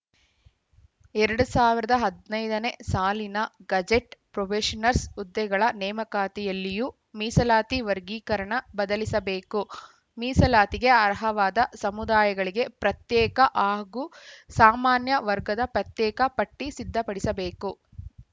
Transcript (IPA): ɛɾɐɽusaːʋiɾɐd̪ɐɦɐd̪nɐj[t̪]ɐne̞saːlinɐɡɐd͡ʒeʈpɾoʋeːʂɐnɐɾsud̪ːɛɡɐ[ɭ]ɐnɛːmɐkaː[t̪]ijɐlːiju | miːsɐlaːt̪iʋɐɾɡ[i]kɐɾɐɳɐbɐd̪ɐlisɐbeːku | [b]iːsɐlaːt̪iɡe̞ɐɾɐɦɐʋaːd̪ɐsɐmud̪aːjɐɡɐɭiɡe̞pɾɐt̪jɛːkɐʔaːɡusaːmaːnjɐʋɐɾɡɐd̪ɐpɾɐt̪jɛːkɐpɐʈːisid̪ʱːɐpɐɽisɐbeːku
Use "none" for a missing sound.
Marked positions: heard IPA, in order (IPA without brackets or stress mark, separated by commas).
d̪, ɭ, t̪, iː, m